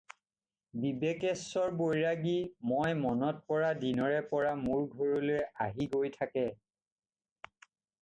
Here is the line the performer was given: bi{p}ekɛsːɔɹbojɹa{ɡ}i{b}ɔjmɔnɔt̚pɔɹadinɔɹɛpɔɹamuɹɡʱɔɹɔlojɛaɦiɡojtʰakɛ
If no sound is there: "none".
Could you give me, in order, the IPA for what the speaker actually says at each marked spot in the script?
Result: b, ɡ, m

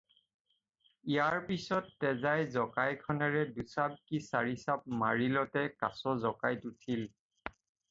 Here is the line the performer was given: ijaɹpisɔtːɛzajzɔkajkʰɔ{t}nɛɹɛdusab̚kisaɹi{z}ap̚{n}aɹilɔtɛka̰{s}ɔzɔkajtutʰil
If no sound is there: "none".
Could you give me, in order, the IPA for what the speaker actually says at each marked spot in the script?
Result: none, s, m, s

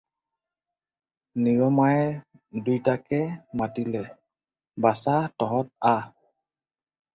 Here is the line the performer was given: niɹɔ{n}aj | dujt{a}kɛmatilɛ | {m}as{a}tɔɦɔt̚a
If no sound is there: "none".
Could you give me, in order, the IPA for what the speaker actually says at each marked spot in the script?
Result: m, a, b, a

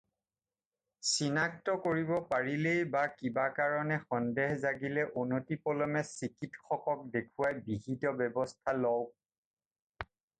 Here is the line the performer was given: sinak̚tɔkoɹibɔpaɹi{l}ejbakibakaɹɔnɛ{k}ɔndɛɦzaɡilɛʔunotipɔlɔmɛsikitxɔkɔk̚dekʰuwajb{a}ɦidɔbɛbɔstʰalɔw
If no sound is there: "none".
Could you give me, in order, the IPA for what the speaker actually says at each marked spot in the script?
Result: l, x, i

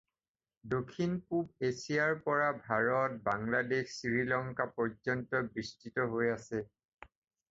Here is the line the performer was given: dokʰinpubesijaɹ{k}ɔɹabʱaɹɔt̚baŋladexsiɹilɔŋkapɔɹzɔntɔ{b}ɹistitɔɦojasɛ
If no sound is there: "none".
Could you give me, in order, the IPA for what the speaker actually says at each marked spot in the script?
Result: p, b

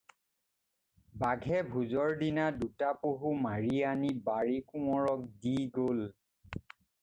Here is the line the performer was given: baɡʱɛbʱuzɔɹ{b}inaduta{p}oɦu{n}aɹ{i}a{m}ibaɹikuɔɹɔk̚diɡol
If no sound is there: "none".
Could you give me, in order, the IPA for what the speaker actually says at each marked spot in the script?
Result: d, p, m, i, n

